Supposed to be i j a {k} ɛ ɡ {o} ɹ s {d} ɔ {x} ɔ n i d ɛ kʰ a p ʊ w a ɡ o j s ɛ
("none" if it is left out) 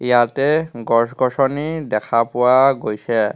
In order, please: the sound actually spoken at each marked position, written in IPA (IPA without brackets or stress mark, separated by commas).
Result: t, ɔ, ɡ, s